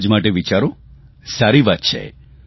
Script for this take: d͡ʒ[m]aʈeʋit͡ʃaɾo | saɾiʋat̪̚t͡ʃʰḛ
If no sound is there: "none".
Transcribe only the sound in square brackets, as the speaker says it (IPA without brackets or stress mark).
m